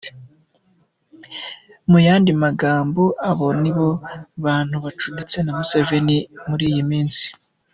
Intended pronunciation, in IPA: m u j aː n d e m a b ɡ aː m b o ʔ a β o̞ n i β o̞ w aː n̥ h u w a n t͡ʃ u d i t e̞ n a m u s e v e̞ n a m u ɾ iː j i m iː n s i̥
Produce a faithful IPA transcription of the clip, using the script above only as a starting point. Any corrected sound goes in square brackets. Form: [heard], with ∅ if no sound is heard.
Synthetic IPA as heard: m u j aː n d [i] m a [∅] ɡ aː m b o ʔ a β o̞ n i β o̞ [β] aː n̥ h u [β] a [∅] t͡ʃ u d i [t͡s] e̞ n a m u s e v e̞ n [i] m u ɾ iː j i m iː n s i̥